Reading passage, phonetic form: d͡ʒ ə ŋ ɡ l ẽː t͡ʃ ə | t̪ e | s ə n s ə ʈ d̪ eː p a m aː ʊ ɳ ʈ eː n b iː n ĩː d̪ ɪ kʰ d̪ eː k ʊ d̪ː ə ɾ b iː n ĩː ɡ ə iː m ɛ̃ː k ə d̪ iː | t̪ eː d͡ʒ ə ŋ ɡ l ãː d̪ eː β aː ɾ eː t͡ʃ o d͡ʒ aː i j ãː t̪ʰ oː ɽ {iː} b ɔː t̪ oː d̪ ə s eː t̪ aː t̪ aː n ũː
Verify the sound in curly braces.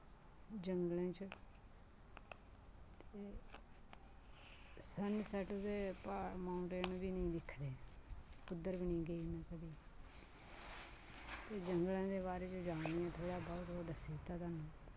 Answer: incorrect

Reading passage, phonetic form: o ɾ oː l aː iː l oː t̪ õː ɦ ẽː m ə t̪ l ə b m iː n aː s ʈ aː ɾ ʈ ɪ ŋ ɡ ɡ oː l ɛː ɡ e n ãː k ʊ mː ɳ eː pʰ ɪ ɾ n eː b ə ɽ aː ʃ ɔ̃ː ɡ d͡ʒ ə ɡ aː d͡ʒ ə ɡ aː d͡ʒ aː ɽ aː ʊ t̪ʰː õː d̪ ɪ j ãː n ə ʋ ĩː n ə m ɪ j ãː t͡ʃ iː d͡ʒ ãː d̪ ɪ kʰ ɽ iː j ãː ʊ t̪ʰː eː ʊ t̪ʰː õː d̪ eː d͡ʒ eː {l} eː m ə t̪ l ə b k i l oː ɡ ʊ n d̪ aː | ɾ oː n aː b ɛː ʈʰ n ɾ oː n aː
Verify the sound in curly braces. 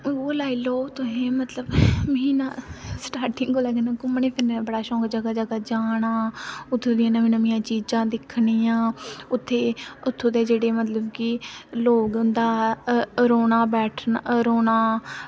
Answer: incorrect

